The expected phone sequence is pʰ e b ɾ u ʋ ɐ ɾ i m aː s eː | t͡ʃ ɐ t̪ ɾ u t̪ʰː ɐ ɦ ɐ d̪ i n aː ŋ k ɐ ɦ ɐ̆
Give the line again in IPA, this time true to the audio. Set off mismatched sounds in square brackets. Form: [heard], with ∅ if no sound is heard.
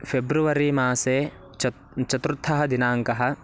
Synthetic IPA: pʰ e b ɾ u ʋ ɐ ɾ i m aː s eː | t͡ʃ ɐ t̪ ɾ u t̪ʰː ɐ ɦ ɐ d̪ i n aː ŋ k ɐ ɦ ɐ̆